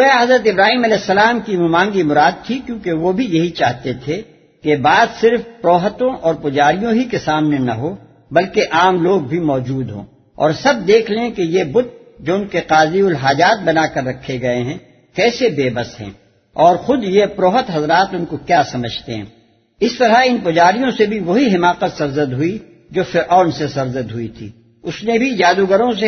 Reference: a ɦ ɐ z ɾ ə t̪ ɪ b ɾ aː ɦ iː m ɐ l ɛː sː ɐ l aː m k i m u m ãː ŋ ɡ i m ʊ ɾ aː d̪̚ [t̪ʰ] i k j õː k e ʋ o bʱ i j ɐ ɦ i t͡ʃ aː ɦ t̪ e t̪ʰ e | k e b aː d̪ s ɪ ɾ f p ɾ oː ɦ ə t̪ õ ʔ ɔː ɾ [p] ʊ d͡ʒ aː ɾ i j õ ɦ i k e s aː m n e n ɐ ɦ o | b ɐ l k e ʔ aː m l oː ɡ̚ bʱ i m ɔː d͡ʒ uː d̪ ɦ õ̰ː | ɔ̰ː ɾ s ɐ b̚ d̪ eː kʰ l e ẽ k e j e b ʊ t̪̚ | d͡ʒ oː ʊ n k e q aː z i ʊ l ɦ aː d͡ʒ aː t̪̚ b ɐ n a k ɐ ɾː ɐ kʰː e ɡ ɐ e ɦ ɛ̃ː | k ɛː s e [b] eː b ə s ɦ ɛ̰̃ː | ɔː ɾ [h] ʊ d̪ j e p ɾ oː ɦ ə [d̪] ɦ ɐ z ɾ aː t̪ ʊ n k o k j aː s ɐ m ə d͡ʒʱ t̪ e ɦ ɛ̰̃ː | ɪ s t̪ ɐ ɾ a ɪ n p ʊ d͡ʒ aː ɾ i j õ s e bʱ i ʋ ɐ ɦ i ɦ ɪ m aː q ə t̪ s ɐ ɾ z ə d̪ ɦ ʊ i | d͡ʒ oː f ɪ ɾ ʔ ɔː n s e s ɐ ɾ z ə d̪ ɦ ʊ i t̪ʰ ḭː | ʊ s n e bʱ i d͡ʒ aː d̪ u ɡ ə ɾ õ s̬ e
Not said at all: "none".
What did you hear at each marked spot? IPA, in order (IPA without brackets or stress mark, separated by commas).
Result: t̪ʰ, p, b, x, t̪